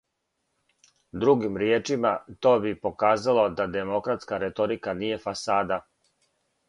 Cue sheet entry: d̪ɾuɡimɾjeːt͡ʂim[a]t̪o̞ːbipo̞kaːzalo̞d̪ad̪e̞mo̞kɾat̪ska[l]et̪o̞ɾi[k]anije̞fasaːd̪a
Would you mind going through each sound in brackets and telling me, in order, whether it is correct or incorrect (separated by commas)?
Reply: correct, incorrect, correct